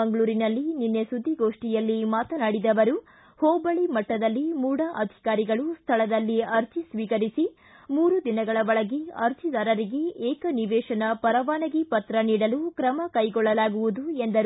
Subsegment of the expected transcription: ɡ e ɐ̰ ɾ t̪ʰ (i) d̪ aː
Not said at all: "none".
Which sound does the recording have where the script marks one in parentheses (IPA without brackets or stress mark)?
i